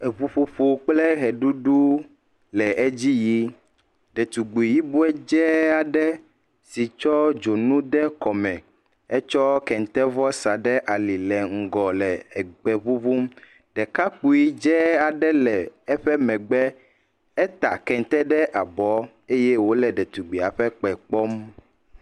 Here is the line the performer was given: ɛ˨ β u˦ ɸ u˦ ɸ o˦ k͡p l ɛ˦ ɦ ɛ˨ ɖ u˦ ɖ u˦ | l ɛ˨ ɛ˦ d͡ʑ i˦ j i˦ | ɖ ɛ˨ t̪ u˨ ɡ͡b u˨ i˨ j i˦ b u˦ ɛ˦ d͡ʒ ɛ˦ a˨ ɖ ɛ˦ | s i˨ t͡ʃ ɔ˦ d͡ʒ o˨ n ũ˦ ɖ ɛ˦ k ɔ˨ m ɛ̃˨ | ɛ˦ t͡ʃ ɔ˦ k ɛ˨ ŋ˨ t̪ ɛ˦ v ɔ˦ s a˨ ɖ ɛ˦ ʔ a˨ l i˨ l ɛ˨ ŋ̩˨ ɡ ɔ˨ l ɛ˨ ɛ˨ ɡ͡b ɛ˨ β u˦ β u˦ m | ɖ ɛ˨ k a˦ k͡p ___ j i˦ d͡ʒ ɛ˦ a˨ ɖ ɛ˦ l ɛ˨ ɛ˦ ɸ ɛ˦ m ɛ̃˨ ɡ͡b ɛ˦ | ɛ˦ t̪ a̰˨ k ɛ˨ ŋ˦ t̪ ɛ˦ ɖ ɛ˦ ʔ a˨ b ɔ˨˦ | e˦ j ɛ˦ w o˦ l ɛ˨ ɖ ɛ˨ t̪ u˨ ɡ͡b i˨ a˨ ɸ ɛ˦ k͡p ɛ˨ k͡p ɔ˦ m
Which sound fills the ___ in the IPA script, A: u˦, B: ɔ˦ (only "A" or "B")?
A